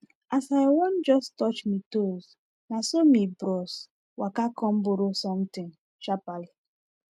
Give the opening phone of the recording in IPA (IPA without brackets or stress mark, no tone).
a